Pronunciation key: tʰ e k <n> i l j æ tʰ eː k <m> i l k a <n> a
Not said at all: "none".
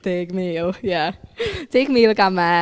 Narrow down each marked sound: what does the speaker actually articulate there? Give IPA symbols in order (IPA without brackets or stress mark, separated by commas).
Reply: m, m, m